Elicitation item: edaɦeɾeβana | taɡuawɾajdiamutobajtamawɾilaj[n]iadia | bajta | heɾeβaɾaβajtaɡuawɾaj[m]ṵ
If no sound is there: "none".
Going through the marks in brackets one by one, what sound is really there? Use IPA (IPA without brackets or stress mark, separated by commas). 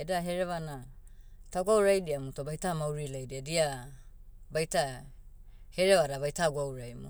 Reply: d, m